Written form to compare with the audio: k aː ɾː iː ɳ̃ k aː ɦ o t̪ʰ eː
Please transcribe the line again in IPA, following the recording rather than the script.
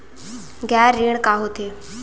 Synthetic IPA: ɡ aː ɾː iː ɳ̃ k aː ɦ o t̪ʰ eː

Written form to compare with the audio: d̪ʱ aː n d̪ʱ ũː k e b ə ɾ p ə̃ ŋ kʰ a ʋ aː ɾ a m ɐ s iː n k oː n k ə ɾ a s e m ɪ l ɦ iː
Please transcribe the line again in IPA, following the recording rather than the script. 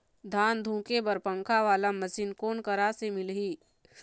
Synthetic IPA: d̪ʱ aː n d̪ʱ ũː k e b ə ɾ p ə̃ ŋ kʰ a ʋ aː l a m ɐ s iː n k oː n k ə ɾ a s e m ɪ l ɦ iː

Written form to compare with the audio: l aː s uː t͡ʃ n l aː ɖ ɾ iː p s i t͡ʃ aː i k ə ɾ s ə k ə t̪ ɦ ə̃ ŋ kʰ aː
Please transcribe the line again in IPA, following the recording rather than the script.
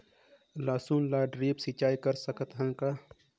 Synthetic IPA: l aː s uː n l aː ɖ ɾ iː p s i t͡ʃ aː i k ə ɾ s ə k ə t̪ ɦ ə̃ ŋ k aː

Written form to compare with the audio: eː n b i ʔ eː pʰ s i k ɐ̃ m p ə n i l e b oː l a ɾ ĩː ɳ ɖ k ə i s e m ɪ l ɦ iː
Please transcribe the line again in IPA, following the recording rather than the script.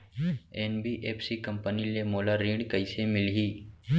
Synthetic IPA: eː n b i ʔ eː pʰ s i k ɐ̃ m p ə n i l e m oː l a ɾ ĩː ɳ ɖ k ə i s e m ɪ l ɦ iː

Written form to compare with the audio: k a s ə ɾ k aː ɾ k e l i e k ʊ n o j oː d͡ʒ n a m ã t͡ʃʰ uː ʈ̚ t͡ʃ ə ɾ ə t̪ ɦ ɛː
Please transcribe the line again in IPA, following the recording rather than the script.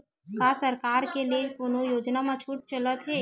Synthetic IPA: k a s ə ɾ k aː ɾ k e l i e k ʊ n o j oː d͡ʒ n a m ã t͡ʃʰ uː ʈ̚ t͡ʃ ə l ə t̪ ɦ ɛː

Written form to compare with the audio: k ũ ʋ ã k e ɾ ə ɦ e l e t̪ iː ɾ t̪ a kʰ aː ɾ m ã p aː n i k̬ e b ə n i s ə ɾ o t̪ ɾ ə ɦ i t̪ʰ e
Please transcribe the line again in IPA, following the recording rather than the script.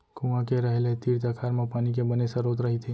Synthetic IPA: k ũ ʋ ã k e ɾ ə ɦ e l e t̪ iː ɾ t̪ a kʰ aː ɾ m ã p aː n i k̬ e b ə n e s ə ɾ o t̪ ɾ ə ɦ i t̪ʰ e

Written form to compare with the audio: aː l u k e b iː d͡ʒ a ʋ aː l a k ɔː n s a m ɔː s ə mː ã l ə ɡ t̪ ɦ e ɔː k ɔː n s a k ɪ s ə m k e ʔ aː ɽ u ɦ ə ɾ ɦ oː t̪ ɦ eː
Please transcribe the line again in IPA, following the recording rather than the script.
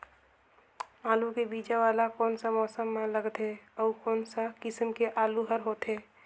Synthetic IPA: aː l u k e b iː d͡ʒ a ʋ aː l a k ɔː n s a m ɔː s ə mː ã l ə ɡ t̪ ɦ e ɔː k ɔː n s a k ɪ s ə m k e ʔ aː l u ɦ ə ɾ ɦ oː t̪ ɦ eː

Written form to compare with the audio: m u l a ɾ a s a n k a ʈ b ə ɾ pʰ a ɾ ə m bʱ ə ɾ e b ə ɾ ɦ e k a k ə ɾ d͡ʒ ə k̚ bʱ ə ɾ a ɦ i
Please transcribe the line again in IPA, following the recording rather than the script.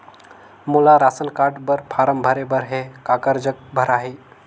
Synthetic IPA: m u l a ɾ a s ə n k a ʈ b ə ɾ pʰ a ɾ ə m bʱ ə ɾ e b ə ɾ ɦ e k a k ə ɾ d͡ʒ ə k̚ bʱ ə ɾ a ɦ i

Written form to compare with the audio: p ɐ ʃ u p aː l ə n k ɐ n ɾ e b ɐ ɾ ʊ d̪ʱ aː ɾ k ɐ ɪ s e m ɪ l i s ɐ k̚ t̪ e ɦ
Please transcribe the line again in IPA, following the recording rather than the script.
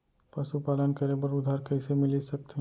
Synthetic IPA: p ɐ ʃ u p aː l ə n k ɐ ɾ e b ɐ ɾ ʊ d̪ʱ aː ɾ k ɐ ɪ s e m ɪ l i s ɐ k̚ t̪ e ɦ

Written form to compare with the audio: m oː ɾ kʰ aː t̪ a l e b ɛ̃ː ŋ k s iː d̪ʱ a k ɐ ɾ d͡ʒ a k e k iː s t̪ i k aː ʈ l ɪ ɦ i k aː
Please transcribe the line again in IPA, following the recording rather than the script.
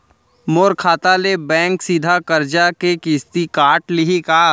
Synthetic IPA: m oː ɾ kʰ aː t̪ a l e b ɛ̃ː ŋ k s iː d̪ʱ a k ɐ ɾ d͡ʒ a k e k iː s t̪ i k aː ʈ l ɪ ɦ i k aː

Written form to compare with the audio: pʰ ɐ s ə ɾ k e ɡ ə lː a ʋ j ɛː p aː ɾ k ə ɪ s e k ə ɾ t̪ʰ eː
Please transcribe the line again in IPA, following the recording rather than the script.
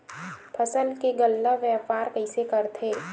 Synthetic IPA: pʰ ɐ s ə l k e ɡ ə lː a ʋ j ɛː p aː ɾ k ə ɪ s e k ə ɾ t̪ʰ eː

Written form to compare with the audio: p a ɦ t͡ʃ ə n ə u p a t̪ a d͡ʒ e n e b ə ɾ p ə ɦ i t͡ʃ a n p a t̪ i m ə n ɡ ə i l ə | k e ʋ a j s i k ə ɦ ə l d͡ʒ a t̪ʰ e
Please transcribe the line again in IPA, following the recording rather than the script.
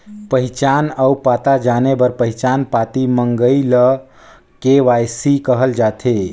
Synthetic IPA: p ə ɦ t͡ʃ a n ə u p a t̪ a d͡ʒ a n e b ə ɾ p ə ɦ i t͡ʃ a n p a t̪ i m ə ŋ ɡ ə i l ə | k e ʋ a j s i k ə ɦ ə l d͡ʒ a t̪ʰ e

